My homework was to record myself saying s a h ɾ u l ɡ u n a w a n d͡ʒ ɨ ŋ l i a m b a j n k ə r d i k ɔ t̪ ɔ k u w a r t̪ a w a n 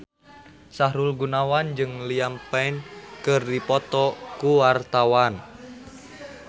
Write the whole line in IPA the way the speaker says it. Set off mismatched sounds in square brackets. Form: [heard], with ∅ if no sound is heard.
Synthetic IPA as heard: s a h ɾ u l ɡ u n a w a n d͡ʒ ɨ ŋ l i a m [p] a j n k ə r d i [p] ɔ t̪ ɔ k u w a r t̪ a w a n